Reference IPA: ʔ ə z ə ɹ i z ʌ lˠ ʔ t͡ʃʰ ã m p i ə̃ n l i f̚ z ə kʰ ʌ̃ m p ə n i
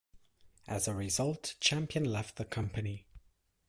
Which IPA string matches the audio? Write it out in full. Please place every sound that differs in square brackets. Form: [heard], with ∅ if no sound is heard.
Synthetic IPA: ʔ ə z ə ɹ [ɪ] z ʌ lˠ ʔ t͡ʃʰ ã m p i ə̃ n l [ɛ] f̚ [ð] ə kʰ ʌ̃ m p ə n i